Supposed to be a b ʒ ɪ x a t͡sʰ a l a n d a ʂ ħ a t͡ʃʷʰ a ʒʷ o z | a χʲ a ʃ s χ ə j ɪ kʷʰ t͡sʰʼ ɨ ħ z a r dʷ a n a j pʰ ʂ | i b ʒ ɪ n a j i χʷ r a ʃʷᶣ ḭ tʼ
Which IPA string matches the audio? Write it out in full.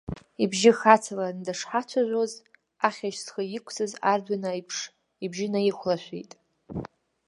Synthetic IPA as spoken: i b ʒ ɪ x a t͡sʰ a l a n d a ʂ ħ a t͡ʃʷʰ a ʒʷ o z | a χʲ a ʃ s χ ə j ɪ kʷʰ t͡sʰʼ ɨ z a r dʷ a n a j pʰ ʂ | i b ʒ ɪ n a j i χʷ l a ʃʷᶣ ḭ tʼ